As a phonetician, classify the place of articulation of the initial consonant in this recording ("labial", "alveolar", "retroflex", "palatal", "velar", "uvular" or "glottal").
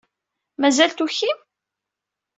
labial